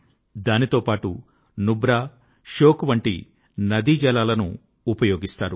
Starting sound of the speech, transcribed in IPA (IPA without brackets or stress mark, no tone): d̪